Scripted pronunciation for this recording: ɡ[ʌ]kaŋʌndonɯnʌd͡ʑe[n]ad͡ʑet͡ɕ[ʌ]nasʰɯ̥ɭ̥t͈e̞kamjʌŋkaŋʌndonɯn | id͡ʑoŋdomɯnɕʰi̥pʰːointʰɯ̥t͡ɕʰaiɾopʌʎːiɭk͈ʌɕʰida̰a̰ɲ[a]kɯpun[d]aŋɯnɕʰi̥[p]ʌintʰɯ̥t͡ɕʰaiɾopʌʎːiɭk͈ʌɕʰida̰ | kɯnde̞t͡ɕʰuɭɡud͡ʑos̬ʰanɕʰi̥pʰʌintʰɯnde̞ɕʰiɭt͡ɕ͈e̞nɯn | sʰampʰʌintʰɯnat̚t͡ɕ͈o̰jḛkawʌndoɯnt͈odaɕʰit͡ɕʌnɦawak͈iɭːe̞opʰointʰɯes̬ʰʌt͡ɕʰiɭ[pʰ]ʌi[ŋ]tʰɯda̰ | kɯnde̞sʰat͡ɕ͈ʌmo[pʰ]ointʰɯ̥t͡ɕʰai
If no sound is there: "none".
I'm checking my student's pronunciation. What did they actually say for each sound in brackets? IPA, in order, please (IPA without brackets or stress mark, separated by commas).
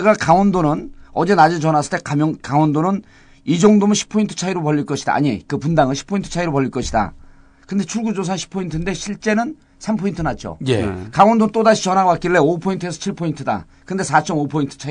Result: a, n, ʌ, i, d, pʰ, pʰ, n, pʰ